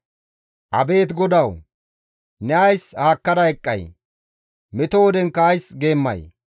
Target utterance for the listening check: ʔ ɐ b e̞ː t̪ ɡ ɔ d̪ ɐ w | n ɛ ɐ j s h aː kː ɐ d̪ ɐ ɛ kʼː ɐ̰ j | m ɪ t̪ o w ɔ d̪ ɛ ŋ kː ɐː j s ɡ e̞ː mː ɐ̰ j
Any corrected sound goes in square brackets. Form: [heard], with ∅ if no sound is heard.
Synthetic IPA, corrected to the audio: ʔ ɐ b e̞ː t̪ ɡ ɔ d̪ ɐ w | n ɛ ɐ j s h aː kː ɐ d̪ ɐ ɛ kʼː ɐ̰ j | m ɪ t̪ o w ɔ d̪ ɛ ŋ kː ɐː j s ɡ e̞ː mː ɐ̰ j